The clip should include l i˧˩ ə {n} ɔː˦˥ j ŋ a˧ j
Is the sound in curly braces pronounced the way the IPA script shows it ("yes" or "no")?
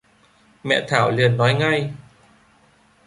no